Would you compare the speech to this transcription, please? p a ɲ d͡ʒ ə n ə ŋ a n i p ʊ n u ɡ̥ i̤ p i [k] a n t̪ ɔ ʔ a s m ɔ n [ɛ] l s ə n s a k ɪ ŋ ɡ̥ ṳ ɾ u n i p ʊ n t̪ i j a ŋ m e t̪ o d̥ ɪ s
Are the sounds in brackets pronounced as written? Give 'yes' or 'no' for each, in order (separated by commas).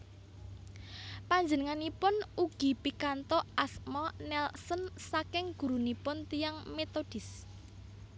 yes, yes